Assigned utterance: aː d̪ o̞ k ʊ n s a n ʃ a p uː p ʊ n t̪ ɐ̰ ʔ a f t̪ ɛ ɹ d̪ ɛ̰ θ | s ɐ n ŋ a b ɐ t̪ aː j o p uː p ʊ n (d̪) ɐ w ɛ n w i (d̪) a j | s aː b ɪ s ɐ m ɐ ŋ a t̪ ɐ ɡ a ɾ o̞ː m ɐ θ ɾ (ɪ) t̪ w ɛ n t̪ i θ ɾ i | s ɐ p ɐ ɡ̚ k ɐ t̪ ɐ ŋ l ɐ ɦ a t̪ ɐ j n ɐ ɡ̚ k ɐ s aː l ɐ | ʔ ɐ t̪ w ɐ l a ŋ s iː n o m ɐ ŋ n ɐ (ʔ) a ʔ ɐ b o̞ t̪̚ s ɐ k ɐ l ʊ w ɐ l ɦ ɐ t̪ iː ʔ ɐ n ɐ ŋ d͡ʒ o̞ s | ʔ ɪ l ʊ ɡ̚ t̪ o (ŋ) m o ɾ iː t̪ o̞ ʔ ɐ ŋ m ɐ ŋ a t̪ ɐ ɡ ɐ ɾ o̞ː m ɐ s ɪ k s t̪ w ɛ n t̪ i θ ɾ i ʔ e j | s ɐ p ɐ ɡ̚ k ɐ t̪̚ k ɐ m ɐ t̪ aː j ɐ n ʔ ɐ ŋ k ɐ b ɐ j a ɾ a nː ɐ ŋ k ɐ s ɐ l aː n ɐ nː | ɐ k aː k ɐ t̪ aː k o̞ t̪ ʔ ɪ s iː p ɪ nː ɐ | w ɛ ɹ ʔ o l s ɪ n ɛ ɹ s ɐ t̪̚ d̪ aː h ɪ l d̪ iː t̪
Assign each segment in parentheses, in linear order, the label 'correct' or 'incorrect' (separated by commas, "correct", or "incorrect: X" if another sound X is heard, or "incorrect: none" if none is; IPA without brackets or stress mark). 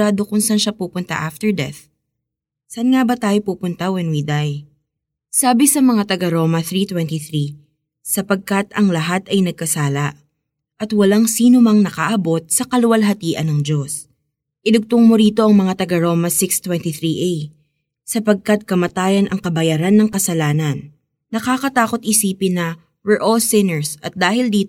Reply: incorrect: t̪, correct, incorrect: i, incorrect: k, correct